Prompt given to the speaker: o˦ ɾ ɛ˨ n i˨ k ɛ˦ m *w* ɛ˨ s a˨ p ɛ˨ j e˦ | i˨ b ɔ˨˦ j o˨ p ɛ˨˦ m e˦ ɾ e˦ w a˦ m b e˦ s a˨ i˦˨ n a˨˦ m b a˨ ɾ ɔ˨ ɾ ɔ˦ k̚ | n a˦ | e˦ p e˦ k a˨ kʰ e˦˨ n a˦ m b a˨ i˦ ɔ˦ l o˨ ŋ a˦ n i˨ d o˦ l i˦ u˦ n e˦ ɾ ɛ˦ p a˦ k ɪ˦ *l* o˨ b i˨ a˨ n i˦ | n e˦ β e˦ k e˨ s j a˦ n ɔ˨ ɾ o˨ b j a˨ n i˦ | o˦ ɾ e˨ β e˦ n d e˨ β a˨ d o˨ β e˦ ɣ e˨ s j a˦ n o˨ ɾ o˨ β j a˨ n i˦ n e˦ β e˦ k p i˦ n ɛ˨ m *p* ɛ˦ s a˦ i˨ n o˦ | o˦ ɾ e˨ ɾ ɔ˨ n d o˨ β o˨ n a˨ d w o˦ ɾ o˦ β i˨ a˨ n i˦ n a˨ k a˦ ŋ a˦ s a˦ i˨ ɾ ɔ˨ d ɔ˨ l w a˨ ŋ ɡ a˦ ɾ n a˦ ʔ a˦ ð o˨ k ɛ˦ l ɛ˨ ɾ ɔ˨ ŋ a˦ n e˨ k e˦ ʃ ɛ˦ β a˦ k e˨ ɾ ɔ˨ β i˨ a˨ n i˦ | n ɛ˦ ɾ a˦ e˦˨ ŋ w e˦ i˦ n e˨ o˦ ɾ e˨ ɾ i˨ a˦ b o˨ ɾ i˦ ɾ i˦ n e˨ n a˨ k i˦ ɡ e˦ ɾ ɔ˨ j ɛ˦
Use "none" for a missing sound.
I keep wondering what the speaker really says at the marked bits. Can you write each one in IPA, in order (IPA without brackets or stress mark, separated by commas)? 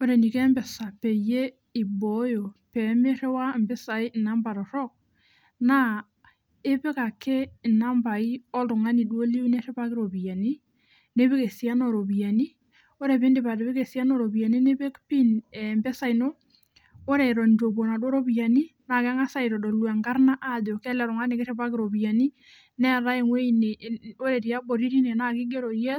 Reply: b, ɾ, b